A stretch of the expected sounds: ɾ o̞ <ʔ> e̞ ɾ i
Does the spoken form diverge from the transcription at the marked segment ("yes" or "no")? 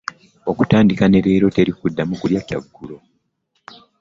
yes